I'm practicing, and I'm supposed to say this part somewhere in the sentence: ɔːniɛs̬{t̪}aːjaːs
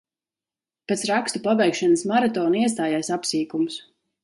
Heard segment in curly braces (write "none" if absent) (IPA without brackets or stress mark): t̪